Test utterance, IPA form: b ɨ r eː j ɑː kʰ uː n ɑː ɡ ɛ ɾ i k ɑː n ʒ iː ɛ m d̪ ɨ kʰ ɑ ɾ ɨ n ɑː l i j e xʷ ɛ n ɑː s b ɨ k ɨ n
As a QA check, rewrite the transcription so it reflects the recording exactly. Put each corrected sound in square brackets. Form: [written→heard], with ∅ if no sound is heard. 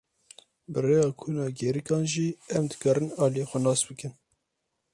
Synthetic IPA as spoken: b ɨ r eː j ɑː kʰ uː n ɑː ɡ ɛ ɾ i k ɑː n ʒ iː ɛ m d̪ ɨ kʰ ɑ ɾ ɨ n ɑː l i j e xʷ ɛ n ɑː s b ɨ k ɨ n

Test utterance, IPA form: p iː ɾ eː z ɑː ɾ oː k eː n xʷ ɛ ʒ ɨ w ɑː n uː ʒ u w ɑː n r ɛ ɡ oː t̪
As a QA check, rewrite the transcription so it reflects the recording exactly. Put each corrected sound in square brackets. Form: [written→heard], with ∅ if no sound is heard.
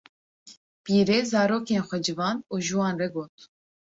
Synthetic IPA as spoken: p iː ɾ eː z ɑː ɾ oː k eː n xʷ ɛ [ʒ→d͡ʒ] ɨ [w→v] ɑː n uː ʒ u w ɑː n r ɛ ɡ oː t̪

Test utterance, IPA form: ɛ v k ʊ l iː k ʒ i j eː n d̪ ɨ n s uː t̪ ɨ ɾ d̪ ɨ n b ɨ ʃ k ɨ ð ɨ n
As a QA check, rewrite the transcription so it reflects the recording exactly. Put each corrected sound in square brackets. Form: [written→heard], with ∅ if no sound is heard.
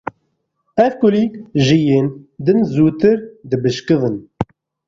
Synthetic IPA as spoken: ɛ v k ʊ l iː k ʒ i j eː n d̪ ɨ n [s→z] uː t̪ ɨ ɾ d̪ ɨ [n→∅] b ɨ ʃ k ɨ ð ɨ n

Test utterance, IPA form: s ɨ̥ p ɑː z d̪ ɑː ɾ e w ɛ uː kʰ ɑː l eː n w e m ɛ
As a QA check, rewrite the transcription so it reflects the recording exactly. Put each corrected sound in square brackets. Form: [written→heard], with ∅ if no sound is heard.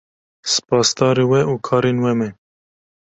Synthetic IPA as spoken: s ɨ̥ p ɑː [z→s] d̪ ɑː ɾ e w ɛ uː kʰ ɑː [l→ɾ] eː n w [e→ɛ] m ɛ

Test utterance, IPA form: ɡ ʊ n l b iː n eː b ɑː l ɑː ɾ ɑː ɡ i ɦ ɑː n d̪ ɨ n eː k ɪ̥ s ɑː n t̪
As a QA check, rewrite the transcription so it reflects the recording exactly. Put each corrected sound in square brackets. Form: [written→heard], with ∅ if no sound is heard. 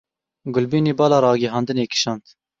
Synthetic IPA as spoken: ɡ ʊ [n→∅] l b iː n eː b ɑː l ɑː ɾ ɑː ɡ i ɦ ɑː n d̪ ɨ n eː k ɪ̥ [s→ʃ] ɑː n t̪

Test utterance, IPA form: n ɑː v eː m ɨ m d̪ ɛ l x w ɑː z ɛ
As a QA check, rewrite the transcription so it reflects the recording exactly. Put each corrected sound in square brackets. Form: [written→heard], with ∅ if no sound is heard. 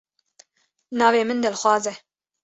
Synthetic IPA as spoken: n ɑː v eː m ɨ [m→n] d̪ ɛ l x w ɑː z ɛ

